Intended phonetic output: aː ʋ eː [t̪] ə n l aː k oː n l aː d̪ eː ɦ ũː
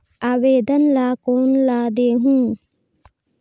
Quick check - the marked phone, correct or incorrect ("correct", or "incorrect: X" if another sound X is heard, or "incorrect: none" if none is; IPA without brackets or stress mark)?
incorrect: d̪